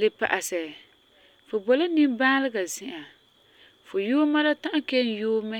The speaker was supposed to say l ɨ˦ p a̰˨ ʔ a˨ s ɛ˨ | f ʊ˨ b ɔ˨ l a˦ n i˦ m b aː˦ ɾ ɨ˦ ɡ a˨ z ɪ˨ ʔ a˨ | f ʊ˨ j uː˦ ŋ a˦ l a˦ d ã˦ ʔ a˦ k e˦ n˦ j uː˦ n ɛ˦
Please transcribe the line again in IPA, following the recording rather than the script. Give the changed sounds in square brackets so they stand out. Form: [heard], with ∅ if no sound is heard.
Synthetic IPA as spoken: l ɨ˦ p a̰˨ ʔ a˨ s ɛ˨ | f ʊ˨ b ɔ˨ l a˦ n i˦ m b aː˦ [l] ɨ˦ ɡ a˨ z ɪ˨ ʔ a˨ | f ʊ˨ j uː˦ [m] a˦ l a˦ [t] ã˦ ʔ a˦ k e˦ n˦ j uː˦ [m] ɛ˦